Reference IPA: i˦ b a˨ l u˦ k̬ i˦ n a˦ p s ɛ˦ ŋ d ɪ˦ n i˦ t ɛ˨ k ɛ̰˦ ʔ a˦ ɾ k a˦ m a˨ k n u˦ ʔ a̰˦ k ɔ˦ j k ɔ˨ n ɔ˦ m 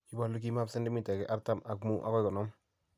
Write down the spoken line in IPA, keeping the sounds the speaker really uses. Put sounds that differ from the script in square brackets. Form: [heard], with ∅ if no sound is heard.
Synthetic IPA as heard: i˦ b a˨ l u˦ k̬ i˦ [m] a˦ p s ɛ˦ [n] d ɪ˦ [m] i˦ t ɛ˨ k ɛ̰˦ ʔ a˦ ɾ [t] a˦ m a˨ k [m] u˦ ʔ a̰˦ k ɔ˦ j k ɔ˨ n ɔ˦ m